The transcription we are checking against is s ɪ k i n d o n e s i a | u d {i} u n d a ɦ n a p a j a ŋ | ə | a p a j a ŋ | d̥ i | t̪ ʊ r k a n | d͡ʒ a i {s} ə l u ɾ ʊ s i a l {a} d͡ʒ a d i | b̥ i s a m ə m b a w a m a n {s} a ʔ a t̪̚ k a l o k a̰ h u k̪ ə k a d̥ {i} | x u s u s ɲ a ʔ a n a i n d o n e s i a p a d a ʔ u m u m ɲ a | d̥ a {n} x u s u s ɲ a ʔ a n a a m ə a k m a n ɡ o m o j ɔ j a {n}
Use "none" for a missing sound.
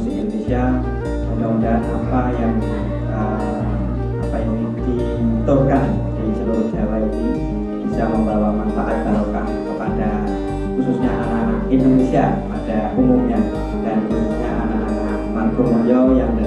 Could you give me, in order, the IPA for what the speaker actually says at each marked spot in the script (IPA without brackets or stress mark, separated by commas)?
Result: a, s, a, f, a, n, ŋ